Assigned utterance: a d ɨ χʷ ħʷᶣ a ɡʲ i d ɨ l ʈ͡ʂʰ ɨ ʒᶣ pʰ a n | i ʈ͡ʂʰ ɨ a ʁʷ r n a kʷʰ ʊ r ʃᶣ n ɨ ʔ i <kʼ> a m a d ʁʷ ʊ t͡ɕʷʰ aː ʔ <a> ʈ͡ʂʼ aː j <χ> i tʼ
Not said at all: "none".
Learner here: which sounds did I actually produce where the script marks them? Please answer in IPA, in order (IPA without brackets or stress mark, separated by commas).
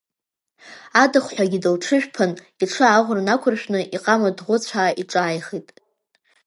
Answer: qʼ, i, χ